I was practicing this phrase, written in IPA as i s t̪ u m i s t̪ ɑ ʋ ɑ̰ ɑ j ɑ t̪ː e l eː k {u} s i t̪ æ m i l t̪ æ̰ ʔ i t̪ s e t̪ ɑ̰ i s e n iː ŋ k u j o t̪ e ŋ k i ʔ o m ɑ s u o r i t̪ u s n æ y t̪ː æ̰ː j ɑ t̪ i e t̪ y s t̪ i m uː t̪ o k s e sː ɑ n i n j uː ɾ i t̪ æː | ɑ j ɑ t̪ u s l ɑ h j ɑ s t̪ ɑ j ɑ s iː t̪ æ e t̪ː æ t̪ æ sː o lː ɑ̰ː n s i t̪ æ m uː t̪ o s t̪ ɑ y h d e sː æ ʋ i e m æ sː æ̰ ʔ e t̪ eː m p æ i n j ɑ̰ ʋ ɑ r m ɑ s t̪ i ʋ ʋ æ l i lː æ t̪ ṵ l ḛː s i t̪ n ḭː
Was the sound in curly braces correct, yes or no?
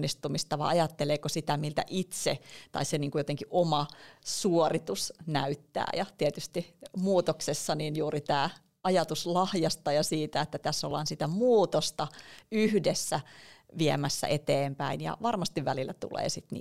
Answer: no